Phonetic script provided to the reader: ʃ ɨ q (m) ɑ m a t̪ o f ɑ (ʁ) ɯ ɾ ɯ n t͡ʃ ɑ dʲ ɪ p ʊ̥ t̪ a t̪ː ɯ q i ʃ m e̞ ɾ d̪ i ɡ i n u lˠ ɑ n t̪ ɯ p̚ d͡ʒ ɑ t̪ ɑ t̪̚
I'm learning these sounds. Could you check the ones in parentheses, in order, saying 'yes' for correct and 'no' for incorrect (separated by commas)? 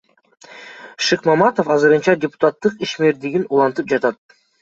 yes, no